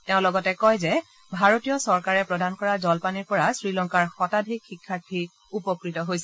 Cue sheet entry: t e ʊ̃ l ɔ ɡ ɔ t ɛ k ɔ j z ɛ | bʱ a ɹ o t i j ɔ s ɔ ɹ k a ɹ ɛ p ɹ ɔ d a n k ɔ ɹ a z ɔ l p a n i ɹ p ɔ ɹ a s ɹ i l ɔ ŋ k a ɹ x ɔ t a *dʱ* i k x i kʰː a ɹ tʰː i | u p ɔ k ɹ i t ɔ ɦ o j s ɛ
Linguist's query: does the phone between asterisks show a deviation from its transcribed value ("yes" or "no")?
no